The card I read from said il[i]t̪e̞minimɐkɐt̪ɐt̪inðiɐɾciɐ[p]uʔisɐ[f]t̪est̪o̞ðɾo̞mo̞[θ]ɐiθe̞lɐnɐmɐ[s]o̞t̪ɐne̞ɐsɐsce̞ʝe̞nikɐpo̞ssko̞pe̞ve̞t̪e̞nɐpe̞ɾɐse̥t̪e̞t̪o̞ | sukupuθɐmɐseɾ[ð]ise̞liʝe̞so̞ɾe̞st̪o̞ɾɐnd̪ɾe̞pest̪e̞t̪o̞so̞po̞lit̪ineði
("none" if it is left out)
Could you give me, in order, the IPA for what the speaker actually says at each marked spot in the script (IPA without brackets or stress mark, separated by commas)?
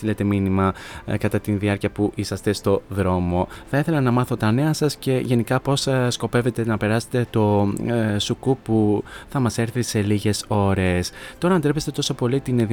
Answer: e, p, s, θ, θ, θ